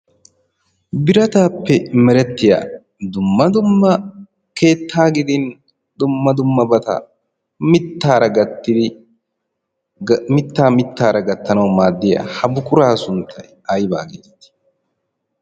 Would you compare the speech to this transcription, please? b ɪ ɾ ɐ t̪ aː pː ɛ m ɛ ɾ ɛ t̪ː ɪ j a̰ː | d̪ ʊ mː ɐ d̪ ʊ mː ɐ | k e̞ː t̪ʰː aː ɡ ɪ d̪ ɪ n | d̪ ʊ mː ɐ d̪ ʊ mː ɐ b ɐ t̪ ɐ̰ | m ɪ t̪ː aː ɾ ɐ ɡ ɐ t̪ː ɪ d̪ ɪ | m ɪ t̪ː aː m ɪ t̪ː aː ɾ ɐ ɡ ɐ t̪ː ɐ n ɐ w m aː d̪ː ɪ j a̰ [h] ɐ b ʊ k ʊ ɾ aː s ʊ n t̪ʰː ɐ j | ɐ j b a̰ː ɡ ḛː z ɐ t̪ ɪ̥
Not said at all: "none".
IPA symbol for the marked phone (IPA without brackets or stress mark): h